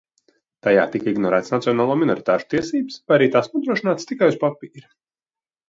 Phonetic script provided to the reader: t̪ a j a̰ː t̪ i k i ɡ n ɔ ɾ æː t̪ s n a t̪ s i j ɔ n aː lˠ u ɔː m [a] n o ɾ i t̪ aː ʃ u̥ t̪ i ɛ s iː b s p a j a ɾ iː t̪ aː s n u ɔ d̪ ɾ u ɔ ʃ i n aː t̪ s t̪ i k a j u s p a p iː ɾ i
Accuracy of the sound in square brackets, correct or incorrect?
incorrect